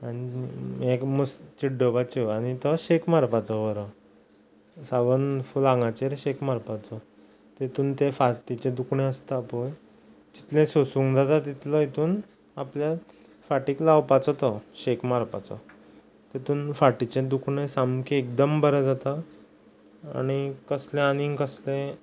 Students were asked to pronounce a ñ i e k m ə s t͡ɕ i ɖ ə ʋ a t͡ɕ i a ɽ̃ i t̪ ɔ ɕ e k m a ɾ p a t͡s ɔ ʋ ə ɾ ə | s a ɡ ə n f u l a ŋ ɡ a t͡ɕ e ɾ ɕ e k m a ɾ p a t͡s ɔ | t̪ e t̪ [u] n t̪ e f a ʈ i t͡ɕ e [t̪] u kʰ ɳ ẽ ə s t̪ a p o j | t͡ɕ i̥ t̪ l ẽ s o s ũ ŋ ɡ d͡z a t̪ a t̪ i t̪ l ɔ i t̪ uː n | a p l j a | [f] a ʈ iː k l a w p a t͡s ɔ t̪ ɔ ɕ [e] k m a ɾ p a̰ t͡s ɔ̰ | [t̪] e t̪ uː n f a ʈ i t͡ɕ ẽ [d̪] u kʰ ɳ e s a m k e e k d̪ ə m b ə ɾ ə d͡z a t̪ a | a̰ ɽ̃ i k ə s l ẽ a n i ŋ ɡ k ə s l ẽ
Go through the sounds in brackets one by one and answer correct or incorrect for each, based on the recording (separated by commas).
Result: incorrect, incorrect, correct, correct, correct, correct